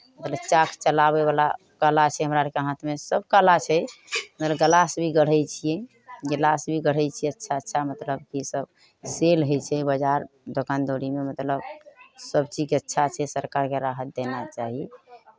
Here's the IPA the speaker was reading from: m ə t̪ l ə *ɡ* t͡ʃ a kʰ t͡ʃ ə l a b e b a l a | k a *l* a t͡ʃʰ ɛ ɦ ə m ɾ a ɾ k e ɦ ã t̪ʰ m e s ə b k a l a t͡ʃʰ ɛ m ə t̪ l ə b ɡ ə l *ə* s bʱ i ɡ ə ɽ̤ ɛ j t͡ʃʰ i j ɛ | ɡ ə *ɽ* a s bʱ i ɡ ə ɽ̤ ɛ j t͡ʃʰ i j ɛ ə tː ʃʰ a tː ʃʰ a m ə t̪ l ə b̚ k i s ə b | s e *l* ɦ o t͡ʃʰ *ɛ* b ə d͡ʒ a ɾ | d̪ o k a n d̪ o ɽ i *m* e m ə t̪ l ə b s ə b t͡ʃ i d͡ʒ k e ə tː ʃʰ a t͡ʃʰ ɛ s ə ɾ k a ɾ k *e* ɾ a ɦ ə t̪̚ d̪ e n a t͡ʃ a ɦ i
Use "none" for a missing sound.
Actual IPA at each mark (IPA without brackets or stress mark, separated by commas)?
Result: b, l, a, l, l, ɛ, m, e